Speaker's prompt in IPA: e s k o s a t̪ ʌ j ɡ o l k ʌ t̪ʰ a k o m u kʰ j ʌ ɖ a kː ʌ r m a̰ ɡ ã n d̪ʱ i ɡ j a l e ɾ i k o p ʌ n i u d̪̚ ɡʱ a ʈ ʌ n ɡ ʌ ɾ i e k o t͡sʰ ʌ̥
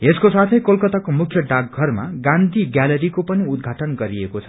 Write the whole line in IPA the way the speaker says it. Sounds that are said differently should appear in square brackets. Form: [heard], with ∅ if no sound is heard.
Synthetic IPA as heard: e s k o s a [t̪ʰ] ʌ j [k] o l k ʌ [t̪] a k o m u kʰ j ʌ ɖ a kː ʌ r m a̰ ɡ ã n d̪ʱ i ɡ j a l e ɾ i k o p ʌ n i u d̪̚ ɡʱ a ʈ ʌ n ɡ ʌ ɾ i e k o t͡sʰ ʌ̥